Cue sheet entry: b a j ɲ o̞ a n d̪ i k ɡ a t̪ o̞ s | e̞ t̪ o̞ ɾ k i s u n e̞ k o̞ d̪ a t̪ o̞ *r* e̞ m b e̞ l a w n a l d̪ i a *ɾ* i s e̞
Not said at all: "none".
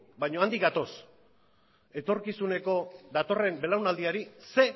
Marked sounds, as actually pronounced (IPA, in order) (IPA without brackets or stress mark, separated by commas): r, ɾ